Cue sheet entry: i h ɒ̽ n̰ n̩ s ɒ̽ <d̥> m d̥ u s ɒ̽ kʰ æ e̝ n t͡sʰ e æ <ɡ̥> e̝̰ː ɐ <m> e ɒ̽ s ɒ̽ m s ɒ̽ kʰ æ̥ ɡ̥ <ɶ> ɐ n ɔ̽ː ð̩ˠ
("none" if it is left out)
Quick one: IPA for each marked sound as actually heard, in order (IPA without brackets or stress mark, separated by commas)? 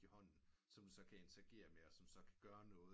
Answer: none, ɡ̥, m, ɶː